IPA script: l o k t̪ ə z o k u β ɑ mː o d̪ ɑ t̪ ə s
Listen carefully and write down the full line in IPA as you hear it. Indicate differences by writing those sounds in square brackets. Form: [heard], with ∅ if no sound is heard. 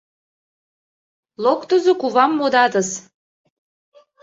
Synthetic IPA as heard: l o k t̪ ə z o k u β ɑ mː o d̪ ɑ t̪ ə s